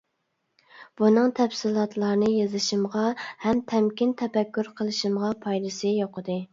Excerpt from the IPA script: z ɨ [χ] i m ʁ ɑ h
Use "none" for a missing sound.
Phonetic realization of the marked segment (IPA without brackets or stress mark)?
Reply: ʃ